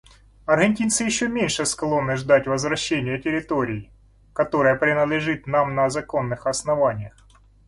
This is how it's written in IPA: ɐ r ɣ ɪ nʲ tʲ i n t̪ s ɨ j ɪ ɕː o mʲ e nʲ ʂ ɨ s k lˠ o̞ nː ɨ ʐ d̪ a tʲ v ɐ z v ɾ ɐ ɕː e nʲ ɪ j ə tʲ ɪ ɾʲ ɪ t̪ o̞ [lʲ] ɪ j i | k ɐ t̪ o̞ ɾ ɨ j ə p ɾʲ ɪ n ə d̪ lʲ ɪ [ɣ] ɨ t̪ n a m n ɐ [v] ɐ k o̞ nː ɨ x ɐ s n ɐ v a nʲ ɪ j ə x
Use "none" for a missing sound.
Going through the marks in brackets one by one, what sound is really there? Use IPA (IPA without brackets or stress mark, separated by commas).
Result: ɾʲ, ʐ, z